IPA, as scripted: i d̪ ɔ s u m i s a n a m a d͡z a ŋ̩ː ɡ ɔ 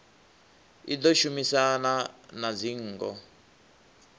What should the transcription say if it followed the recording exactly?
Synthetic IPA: i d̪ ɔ ʃ u m i s a n a n a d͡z i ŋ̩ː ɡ ɔ